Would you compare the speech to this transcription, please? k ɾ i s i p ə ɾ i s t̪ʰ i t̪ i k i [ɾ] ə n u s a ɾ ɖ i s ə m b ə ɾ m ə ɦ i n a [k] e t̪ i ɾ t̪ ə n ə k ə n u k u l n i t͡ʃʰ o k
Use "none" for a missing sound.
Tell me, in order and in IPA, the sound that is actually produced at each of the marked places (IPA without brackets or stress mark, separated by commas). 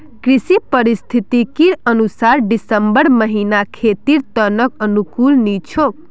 ɾ, kʰ